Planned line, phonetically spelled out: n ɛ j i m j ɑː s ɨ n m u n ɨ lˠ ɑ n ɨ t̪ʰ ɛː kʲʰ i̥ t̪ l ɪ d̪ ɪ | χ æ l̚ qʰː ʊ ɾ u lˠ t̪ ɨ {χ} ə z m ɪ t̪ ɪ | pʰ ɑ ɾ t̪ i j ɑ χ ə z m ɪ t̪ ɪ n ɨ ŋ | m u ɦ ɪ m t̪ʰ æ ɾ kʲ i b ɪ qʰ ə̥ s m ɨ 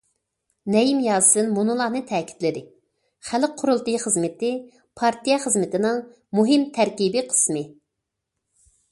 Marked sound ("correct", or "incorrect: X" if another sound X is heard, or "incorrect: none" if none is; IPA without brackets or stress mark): correct